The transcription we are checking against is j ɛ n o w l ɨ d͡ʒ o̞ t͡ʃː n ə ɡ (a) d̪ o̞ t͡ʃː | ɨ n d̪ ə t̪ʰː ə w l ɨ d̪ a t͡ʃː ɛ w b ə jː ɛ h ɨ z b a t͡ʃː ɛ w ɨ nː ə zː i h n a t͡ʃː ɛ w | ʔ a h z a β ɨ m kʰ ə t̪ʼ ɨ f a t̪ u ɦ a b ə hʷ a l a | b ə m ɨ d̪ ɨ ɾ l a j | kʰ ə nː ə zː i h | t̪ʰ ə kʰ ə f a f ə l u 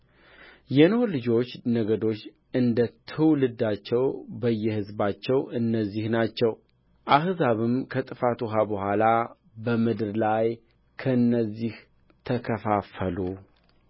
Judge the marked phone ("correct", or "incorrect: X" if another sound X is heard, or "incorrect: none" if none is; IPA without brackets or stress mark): incorrect: ə